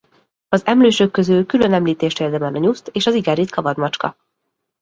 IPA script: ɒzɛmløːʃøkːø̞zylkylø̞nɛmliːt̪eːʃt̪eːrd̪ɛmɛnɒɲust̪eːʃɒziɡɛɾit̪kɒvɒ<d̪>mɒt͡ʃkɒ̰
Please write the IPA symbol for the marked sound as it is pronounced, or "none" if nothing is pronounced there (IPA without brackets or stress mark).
d̪